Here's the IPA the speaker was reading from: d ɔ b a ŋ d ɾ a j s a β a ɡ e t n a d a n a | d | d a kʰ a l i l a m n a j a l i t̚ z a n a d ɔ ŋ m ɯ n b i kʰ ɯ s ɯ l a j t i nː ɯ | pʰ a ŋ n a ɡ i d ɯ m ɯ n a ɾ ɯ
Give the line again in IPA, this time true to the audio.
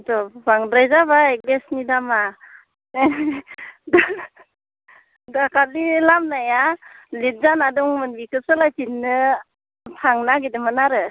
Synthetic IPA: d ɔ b a ŋ d ɾ a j z a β a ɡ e s n i d a m a | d | d a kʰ a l i l a m n a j a l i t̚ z a n a d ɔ ŋ m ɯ n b i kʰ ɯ s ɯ l a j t i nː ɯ | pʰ a ŋ n a ɡ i d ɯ m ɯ n a ɾ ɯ